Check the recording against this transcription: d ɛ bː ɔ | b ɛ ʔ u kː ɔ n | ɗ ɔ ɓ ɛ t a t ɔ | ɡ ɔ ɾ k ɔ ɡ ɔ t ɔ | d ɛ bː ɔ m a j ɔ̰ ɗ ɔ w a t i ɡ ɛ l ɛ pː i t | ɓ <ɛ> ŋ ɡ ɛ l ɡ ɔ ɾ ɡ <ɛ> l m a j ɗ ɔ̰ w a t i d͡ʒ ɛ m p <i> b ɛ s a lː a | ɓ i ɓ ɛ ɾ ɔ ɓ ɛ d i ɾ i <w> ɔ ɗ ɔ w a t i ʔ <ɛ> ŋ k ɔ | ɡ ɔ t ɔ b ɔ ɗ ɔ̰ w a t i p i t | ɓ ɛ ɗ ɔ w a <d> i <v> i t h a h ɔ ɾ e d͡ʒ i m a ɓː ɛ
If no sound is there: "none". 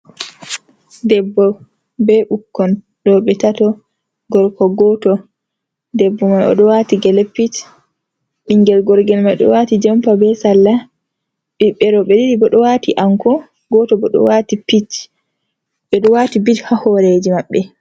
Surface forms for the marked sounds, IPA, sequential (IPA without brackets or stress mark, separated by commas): i, ɛ, a, b, a, t, b